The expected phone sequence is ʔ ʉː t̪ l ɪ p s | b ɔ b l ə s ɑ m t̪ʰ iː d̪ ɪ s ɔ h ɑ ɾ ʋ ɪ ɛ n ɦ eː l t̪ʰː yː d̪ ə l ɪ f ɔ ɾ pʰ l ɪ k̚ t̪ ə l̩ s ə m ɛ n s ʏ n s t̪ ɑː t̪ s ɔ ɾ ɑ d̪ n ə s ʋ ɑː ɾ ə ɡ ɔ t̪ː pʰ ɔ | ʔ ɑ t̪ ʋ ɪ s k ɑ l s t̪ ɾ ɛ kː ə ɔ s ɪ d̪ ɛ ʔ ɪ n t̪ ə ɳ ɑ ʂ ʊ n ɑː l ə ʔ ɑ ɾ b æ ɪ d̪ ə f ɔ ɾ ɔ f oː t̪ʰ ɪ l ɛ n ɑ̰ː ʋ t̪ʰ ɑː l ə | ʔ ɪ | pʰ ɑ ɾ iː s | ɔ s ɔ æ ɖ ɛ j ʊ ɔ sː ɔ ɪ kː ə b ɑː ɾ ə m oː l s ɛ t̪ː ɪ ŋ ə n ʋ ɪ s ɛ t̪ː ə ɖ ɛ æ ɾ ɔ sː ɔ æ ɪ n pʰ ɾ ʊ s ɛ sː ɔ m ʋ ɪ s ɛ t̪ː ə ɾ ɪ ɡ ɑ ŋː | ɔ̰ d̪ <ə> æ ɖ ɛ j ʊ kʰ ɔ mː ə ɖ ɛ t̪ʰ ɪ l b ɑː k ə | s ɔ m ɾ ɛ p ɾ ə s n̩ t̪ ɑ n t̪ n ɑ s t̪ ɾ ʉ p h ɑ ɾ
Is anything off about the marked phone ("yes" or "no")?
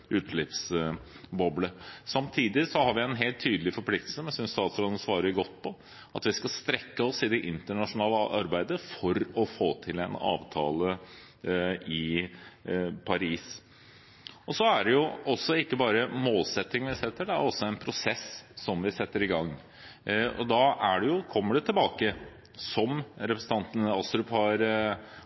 yes